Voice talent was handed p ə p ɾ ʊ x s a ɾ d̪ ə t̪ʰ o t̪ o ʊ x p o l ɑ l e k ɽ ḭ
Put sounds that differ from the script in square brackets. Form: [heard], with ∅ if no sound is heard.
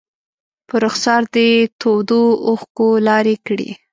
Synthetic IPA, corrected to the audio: p ə [∅] ɾ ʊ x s [ɑ] ɾ d̪ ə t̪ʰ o [d̪] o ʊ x [k] o l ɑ [ɾ] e k ɽ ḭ